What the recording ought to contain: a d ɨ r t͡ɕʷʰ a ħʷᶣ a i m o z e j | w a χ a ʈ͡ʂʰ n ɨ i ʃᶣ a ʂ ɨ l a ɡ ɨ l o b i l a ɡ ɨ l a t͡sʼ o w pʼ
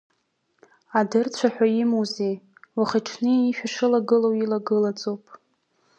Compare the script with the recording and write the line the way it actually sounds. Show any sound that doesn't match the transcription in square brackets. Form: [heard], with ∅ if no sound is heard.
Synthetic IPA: a d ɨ r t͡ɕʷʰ a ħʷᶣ a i m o z e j | w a χ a ʈ͡ʂʰ n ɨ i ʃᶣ a ʂ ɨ l a ɡ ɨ l o [w] i l a ɡ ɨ l a t͡sʼ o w pʼ